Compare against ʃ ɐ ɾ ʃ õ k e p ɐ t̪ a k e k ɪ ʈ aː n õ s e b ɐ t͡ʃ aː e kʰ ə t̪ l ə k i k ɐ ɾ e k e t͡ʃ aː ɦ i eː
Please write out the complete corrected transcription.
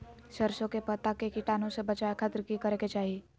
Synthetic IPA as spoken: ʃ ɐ ɾ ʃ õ k e p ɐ t̪ a k e k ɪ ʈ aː n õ s e b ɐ t͡ʃ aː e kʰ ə t̪ ɾ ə k i k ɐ ɾ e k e t͡ʃ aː ɦ i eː